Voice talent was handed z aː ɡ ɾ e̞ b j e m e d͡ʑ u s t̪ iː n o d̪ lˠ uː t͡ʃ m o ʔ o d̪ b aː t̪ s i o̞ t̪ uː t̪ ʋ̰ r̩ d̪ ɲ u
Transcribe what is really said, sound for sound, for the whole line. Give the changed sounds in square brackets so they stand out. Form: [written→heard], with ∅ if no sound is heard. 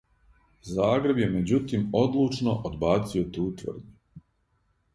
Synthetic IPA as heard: z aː ɡ ɾ e̞ b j e m e d͡ʑ u [s→∅] t̪ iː [n→m] o d̪ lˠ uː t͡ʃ [m→n] o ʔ o d̪ b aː t̪ s i o̞ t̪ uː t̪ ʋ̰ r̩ d̪ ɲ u